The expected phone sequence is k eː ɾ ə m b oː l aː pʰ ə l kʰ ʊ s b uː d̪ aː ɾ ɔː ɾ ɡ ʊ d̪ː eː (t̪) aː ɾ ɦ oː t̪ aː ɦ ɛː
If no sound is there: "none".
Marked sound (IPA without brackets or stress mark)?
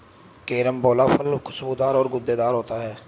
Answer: d̪